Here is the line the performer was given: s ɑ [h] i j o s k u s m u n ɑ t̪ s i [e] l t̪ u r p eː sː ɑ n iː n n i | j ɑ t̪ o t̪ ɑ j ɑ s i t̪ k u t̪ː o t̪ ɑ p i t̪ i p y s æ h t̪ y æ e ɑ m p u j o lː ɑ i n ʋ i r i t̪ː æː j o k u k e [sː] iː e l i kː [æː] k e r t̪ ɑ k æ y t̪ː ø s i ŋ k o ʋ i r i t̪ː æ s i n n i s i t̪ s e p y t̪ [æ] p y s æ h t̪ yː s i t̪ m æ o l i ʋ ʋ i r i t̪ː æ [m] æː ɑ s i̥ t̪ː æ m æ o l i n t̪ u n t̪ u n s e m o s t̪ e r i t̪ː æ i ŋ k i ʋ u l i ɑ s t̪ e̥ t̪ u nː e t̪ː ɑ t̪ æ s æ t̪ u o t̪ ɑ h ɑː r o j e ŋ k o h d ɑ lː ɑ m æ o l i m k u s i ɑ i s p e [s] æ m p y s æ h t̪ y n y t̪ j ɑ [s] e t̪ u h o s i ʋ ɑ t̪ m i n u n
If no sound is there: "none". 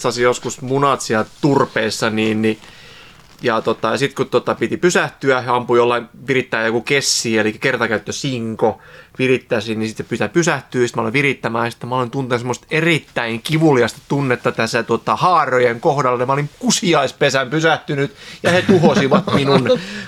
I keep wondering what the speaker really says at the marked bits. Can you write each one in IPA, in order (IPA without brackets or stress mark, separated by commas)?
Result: s, æ, sː, æ, æ, m, s, h